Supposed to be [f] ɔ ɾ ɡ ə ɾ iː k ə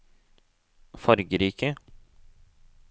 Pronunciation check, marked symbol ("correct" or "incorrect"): correct